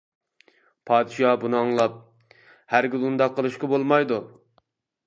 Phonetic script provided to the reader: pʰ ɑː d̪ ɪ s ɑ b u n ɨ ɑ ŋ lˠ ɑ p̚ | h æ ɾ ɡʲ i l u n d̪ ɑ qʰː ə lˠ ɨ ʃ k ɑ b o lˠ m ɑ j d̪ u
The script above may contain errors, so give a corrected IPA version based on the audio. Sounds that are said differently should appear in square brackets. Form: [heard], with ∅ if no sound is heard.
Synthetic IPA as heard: pʰ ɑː d̪ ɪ [ʃ] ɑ b u n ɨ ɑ ŋ lˠ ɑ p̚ | h æ ɾ ɡʲ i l u n d̪ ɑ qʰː ə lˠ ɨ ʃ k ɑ b o lˠ m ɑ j d̪ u